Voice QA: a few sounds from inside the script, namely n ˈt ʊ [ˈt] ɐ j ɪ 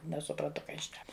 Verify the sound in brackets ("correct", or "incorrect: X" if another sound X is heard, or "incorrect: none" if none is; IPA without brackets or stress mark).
incorrect: k